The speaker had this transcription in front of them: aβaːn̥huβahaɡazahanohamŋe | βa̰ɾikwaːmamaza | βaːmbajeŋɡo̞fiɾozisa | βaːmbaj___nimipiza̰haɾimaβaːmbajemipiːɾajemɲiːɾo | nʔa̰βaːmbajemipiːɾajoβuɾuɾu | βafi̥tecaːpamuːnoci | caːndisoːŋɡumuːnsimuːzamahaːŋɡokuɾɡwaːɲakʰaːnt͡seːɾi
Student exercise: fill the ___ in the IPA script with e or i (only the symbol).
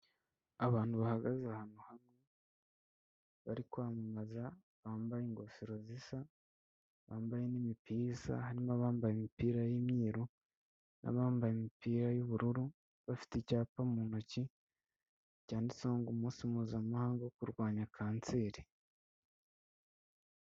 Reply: e